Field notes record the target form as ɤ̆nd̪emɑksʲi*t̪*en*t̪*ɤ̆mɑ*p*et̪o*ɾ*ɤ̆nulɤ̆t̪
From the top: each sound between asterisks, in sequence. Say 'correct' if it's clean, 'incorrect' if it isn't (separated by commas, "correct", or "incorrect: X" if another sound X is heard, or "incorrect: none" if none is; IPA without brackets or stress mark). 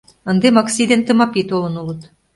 incorrect: d̪, correct, correct, incorrect: l